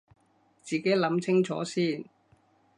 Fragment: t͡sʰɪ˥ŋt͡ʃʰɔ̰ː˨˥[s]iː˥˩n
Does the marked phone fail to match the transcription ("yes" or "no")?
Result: no